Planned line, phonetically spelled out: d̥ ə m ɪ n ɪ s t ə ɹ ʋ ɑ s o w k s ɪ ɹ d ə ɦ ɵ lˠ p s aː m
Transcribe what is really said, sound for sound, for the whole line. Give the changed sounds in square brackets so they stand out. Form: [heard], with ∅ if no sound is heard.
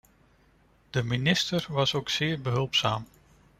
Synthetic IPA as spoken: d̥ ə m [i] n ɪ s t ə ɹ ʋ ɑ s o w k s [ɪː] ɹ [b] ə ɦ ɵ lˠ p s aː m